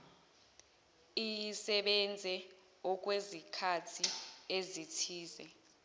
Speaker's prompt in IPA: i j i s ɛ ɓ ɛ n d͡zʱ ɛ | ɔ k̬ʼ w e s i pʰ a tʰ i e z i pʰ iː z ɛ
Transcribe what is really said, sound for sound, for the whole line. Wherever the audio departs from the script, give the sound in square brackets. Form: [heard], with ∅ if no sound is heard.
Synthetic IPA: i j i s ɛ ɓ ɛ n d͡zʱ ɛ | ɔ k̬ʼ w e [z] i [kʰ] a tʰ i e z i [tʰ] iː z ɛ